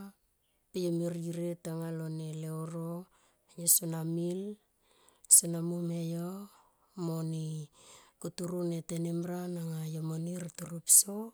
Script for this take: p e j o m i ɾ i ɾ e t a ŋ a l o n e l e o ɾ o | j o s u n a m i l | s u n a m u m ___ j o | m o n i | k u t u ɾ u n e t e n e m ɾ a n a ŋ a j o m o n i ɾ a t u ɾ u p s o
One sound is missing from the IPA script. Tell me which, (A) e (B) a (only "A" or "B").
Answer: A